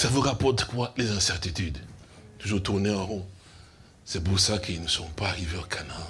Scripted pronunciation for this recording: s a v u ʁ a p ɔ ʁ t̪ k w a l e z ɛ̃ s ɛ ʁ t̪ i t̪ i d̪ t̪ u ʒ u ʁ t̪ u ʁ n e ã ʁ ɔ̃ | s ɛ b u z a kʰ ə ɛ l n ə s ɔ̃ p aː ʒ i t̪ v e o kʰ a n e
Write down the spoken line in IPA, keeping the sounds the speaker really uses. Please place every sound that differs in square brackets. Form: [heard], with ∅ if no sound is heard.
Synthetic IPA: s a v u ʁ a p ɔ ʁ t̪ k w a l e z ɛ̃ s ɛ ʁ t̪ i t̪ [y] d̪ t̪ u ʒ u ʁ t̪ u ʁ n e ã ʁ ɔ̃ | s ɛ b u [s] a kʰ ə [i] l n ə s ɔ̃ p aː [ʁ] i [∅] v e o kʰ a n [a]